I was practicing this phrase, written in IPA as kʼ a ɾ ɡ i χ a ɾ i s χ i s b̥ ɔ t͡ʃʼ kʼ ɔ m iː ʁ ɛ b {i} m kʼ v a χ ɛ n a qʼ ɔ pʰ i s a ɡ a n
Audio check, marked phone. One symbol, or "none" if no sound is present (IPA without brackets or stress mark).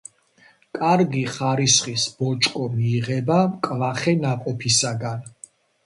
a